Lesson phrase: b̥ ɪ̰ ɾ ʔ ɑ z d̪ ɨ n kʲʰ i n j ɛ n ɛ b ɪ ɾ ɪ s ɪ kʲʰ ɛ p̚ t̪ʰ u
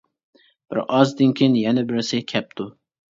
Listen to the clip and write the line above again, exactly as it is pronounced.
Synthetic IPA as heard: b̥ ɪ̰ ɾ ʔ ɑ z d̪ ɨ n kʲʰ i n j ɛ n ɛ b ɪ ɾ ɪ s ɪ kʲʰ ɛ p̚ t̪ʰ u